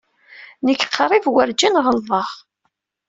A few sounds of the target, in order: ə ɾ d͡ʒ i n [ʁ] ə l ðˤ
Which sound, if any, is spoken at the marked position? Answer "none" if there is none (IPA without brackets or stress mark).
ʁ